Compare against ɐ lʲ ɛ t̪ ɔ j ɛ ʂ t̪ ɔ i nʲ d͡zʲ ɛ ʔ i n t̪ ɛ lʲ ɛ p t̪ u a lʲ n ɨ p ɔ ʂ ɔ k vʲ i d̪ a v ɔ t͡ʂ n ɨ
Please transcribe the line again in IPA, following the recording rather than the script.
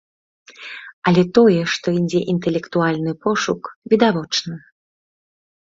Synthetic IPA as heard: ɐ lʲ ɛ t̪ ɔ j ɛ ʂ t̪ ɔ i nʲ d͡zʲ ɛ ʔ i n t̪ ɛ lʲ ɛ k t̪ u a lʲ n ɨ p ɔ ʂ u k vʲ i d̪ a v ɔ t͡ʂ n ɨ